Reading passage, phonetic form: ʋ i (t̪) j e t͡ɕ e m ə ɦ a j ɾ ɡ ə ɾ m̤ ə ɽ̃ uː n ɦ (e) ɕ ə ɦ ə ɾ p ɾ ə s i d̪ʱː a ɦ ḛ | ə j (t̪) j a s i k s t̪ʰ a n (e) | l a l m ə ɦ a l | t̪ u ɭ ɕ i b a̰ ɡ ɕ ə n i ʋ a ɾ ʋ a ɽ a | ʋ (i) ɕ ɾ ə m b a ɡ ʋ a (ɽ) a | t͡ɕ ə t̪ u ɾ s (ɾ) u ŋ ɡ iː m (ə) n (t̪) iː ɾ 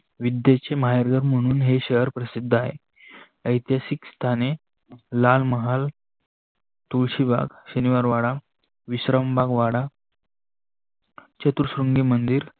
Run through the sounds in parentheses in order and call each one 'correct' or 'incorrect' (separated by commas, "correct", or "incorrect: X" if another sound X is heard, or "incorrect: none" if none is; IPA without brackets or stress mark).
incorrect: d̪, correct, correct, correct, correct, correct, correct, correct, incorrect: d̪